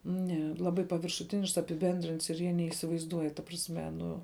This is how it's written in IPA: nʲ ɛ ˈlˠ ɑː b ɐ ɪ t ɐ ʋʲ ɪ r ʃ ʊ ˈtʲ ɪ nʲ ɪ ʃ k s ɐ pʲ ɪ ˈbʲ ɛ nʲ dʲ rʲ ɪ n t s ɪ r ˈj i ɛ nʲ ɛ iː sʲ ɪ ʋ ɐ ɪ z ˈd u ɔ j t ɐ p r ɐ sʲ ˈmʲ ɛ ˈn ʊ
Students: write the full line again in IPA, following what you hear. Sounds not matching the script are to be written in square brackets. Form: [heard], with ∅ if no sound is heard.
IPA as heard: nʲ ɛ ˈlˠ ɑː b ɐ ɪ [p] ɐ ʋʲ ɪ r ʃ ʊ ˈtʲ ɪ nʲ ɪ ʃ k s ɐ pʲ ɪ ˈbʲ ɛ nʲ dʲ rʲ ɪ n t s ɪ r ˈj i ɛ nʲ ɛ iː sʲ ɪ ʋ ɐ ɪ z ˈd u ɔ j t ɐ p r ɐ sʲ ˈmʲ ɛ ˈn ʊ